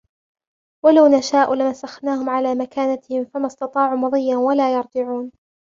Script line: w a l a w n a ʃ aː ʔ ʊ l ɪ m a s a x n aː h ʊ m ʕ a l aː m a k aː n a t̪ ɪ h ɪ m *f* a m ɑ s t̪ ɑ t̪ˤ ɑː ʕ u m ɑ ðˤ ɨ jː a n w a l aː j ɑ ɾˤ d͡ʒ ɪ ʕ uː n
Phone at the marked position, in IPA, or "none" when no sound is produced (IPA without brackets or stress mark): f